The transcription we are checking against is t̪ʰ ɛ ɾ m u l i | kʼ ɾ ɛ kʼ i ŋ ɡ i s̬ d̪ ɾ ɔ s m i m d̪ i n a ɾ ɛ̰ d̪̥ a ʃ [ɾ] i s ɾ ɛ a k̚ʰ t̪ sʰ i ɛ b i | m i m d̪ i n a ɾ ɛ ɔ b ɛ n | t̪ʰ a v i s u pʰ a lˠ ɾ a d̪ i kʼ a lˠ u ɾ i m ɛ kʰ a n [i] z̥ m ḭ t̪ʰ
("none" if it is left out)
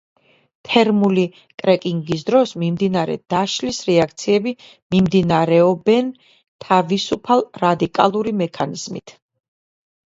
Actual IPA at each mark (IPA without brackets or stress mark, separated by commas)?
l, i